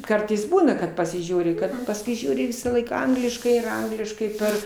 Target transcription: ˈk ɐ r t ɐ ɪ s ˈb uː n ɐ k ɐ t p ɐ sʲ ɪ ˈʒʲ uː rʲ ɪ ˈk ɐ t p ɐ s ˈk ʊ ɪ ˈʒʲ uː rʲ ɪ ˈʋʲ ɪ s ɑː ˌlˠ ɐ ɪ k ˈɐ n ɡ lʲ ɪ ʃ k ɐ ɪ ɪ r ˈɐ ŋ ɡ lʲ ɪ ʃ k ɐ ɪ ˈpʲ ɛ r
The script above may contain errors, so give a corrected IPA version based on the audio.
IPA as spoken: ˈk ɐ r t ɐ ɪ s ˈb uː n ɐ k ɐ t p ɐ sʲ ɪ ˈʒʲ uː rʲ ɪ ˈk ɐ t p ɐ s ˈk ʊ ɪ ˈʒʲ uː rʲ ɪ ˈʋʲ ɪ s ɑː ˌlˠ ɐ ɪ k ˈɐ ŋ ɡ lʲ ɪ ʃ k ɐ ɪ ɪ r ˈɐ ŋ ɡ lʲ ɪ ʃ k ɐ ɪ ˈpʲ ɛ r

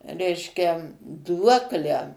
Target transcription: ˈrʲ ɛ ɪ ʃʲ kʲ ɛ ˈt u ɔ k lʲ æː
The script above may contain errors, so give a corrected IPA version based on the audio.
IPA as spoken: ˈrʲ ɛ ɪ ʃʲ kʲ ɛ ˈd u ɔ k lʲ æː

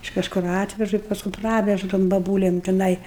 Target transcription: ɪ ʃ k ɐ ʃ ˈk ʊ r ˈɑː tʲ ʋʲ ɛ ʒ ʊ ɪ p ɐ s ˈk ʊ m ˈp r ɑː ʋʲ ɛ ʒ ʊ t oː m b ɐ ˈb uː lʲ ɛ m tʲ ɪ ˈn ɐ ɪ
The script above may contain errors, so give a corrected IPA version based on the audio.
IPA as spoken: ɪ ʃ k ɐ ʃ ˈk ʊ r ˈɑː tʲ ʋʲ ɛ ʒ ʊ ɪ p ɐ s ˈk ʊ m ˈp r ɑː ʋʲ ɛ ʒ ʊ t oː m b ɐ ˈb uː lʲ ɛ m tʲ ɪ ˈn ɐ ɪ

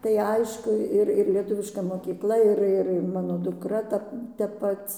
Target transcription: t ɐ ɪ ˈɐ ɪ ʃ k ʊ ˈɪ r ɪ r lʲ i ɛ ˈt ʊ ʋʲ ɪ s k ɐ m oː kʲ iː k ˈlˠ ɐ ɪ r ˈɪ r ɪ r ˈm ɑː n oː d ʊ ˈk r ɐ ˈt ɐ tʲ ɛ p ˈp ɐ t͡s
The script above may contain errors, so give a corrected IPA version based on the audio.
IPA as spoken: t ɐ ɪ ˈɐ ɪ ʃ k ʊ ˈɪ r ɪ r lʲ i ɛ ˈt ʊ ʋʲ ɪ ʃ k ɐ m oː kʲ iː k ˈlˠ ɐ ɪ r ˈɪ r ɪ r ˈm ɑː n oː d ʊ ˈk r ɐ ˈt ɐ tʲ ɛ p ˈp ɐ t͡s

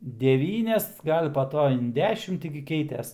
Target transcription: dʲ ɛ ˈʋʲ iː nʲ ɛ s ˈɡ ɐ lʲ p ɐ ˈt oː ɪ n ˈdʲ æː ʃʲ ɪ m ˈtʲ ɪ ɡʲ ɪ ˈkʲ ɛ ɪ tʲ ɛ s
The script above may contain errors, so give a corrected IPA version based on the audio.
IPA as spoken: dʲ ɛ ˈʋʲ iː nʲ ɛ s ˈɡ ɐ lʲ p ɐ ˈt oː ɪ n ˈdʲ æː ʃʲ ɪ m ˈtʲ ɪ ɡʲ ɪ ˈkʲ ɛ ɪ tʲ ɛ s

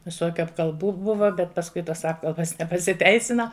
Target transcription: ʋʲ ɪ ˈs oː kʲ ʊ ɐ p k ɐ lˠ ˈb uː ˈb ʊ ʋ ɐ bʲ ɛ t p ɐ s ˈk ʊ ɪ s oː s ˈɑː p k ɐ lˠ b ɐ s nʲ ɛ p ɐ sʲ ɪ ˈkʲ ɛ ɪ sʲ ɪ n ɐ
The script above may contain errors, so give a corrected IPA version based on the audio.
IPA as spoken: ʋʲ ɪ ˈs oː kʲ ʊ ɐ p k ɐ lˠ ˈb uː ˈb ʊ ʋ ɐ bʲ ɛ t p ɐ s ˈk ʊ ɪ t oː s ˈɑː p k ɐ lˠ b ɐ s nʲ ɛ p ɐ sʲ ɪ ˈtʲ ɛ ɪ sʲ ɪ n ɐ

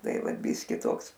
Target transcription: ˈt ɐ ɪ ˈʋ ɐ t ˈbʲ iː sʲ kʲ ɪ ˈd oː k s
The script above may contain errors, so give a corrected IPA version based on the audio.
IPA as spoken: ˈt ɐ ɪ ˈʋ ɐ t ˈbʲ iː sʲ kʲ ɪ ˈt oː k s

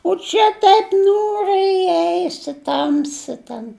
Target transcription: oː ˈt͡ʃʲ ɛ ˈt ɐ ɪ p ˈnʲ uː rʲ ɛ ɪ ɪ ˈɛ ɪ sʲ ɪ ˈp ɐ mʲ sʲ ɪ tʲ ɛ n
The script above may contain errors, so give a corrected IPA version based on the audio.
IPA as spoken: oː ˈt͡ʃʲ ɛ ˈt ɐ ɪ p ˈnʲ uː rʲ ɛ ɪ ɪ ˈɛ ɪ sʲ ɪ ˈt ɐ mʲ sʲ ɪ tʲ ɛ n

